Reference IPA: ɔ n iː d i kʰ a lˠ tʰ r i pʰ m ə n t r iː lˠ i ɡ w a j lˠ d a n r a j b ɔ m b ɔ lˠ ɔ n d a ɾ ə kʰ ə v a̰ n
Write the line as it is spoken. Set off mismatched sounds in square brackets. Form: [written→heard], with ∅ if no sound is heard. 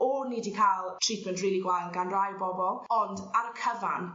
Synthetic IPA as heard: ɔ n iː d i kʰ a lˠ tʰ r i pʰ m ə n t r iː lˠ i ɡ w a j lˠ [d→ɡ] a n r a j b ɔ [m→∅] b ɔ lˠ ɔ n d a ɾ ə kʰ ə v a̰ n